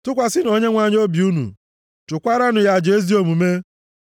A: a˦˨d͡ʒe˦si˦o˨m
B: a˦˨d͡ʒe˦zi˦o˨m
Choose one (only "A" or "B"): B